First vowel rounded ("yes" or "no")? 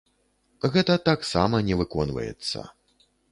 no